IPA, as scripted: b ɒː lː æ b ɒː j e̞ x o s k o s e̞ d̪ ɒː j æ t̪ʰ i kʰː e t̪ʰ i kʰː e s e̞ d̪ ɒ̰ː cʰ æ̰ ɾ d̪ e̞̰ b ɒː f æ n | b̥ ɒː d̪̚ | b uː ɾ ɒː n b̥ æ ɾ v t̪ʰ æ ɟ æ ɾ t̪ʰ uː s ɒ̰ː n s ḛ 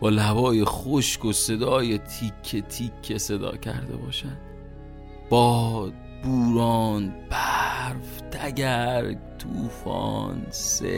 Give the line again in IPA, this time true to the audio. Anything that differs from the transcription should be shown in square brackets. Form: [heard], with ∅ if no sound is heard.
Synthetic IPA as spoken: b ɒː [l] æ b ɒː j e̞ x o [ʃ] k o s e̞ d̪ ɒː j [e] t̪ʰ i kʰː e t̪ʰ i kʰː e s e̞ d̪ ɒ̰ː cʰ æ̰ ɾ d̪ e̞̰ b ɒː [ʃ] æ n | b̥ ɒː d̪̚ | b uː ɾ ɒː n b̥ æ ɾ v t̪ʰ æ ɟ æ ɾ t̪ʰ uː [f] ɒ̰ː n s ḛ